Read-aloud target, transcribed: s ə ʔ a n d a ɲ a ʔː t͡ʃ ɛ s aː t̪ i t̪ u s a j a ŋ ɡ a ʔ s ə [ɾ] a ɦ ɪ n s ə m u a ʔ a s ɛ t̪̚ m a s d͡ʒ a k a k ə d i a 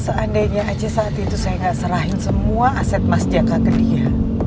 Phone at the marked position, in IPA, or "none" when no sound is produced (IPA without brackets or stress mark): ɾ